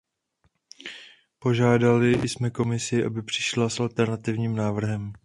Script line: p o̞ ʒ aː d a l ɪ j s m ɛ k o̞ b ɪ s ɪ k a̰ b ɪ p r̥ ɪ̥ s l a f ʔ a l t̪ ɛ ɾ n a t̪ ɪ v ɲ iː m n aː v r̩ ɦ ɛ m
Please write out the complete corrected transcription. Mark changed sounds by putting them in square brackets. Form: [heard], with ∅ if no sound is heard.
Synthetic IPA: p o̞ ʒ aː d a l ɪ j s m ɛ k o̞ [m] ɪ s ɪ [ʔ] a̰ b ɪ p r̥ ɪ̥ [ʃ] l a [s] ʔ a l t̪ ɛ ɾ n a t̪ ɪ v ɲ iː m n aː v r̩ ɦ ɛ m

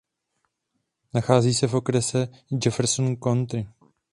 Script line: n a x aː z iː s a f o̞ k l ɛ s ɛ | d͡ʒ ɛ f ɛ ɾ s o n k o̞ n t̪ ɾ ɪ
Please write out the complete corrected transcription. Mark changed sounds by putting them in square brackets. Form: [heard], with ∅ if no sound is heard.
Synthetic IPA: n a x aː z iː s [ɛ] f o̞ k [ɾ] ɛ s ɛ | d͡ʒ ɛ f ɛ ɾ s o n k o̞ n t̪ ɾ ɪ

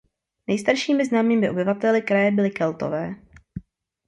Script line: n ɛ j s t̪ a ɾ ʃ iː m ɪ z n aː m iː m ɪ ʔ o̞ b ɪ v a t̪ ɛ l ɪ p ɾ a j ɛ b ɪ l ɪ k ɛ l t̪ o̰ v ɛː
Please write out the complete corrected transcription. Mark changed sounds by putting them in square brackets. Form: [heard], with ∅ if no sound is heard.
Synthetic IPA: n ɛ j s t̪ a ɾ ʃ iː m ɪ z n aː m iː m ɪ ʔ o̞ b ɪ v a t̪ ɛ l ɪ [k] ɾ a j ɛ b ɪ l ɪ k ɛ l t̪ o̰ v ɛː

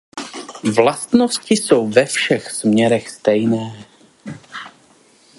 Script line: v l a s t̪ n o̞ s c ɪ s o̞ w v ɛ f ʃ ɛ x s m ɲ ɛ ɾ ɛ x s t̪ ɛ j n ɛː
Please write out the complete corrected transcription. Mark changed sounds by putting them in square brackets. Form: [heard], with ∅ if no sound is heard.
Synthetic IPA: v l a s t̪ n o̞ s c ɪ s o̞ w v ɛ f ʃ ɛ x s m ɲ ɛ ɾ ɛ x s t̪ ɛ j n ɛː

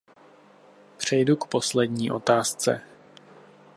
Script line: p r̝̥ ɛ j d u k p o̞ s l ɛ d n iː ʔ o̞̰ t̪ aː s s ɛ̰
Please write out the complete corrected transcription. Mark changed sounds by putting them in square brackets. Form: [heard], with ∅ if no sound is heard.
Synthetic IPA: p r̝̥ ɛ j d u k p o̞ s l ɛ d [ɲ] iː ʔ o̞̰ t̪ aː s [t͡s] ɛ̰

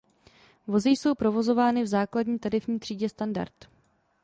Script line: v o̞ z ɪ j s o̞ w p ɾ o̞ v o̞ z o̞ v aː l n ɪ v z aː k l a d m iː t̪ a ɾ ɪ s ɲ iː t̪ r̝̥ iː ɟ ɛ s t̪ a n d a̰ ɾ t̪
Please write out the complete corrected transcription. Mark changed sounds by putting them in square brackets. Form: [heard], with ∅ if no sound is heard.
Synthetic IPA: v o̞ z ɪ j s o̞ w p ɾ o̞ v o̞ z o̞ v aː [∅] n ɪ v z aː k l a d [ɲ] iː t̪ a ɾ ɪ [f] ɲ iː t̪ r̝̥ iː ɟ ɛ s t̪ a n d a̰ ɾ t̪

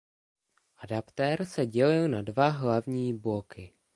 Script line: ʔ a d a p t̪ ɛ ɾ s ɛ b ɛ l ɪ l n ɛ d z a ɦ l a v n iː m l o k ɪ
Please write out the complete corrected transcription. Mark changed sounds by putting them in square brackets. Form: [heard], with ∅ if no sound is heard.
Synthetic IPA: ʔ a d a p t̪ ɛ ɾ s ɛ [ɟ] ɛ l ɪ l n [a] d [v] a ɦ l a v [ɲ] iː [b] l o k ɪ

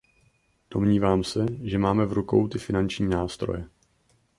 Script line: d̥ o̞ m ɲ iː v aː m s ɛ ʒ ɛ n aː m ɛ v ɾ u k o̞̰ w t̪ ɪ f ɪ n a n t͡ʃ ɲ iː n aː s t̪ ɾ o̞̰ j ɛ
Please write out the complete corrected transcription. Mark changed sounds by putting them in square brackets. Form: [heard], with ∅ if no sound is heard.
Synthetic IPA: d̥ o̞ m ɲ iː v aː m s ɛ ʒ ɛ [m] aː m ɛ v ɾ u k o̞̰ w t̪ ɪ f ɪ n a n t͡ʃ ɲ iː n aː s t̪ ɾ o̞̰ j ɛ

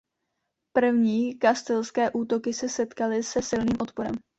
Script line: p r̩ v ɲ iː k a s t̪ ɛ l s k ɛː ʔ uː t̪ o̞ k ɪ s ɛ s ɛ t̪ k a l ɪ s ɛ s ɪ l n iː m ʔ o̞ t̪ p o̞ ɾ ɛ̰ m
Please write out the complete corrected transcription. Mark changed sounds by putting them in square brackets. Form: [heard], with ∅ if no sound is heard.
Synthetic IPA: p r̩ v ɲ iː k a s t̪ ɛ l s k ɛː ʔ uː t̪ o̞ k ɪ s ɛ s ɛ t̪ k a l ɪ s ɛ s ɪ l n iː m ʔ o̞ t̪ p o̞ ɾ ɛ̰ m

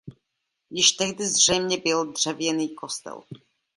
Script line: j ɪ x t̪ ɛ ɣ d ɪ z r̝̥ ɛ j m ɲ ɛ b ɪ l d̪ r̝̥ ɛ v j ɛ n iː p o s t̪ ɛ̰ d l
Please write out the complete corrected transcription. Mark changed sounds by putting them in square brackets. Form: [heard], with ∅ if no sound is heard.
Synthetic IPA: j ɪ [ʃ] t̪ ɛ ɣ d ɪ z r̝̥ ɛ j m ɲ ɛ b ɪ l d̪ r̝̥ ɛ v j ɛ n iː [k] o s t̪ ɛ̰ [∅] l

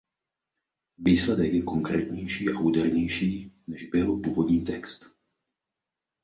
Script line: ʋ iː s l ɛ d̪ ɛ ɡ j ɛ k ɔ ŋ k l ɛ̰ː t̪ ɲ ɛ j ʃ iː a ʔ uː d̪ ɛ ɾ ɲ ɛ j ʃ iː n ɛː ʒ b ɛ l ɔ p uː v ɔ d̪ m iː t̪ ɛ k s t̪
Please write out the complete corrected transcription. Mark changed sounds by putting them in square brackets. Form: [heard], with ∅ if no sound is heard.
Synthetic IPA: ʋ iː s l ɛ d̪ ɛ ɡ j ɛ k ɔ ŋ k [ɾ] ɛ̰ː t̪ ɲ ɛ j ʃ iː a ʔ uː d̪ ɛ ɾ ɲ ɛ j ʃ iː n [ɛ] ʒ b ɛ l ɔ p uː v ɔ d̪ [ɲ] iː t̪ ɛ k s t̪

